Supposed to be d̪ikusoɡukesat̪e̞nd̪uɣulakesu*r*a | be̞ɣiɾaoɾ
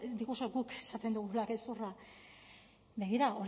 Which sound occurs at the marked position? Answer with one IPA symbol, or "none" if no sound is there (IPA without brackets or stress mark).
r